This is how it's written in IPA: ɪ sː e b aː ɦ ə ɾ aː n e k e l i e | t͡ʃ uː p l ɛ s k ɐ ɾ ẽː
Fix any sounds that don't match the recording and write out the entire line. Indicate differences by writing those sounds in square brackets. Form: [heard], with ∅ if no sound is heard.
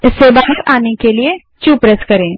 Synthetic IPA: ɪ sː e b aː ɦ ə ɾ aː n e k e l i e | t͡ʃ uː p [ɾ] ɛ s k ɐ ɾ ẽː